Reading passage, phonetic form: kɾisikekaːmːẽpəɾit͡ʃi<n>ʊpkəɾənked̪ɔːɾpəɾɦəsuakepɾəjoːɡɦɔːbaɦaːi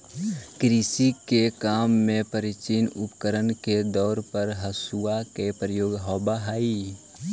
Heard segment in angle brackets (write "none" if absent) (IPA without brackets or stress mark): n